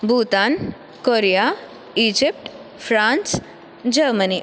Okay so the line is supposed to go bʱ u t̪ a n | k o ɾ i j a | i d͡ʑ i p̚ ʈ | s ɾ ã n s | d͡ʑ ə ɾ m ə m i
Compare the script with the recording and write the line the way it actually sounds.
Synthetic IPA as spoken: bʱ u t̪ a n | k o ɾ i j a | i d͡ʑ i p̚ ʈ | f ɾ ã n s | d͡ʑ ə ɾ m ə n i